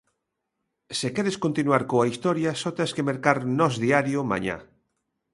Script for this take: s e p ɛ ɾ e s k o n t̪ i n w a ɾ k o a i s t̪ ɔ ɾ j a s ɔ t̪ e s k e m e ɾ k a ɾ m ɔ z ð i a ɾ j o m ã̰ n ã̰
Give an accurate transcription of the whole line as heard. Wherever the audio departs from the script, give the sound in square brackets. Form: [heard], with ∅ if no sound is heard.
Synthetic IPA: s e [k] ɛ ɾ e s k o n t̪ i n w a ɾ k o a i s t̪ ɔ ɾ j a s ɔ t̪ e s k e m e ɾ k a ɾ [n] ɔ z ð i a ɾ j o m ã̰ [ɲ] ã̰